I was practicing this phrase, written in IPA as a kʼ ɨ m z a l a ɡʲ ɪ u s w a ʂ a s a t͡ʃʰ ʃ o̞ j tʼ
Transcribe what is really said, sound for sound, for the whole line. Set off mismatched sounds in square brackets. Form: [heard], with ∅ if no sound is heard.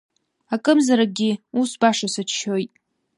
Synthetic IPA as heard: a kʼ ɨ m z a [ɾ] a ɡʲ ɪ u s [b] a ʂ a s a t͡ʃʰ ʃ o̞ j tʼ